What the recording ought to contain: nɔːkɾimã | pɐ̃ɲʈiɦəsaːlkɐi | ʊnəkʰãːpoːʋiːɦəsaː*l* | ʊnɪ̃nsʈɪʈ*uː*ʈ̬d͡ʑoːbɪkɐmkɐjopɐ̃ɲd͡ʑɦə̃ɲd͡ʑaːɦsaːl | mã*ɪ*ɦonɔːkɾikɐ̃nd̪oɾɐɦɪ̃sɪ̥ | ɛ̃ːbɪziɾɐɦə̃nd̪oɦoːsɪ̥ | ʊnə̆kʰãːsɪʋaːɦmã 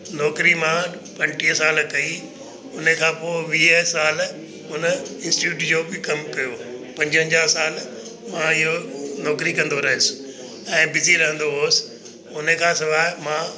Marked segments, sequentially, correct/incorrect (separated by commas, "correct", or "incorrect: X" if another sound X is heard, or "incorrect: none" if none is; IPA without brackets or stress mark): correct, correct, correct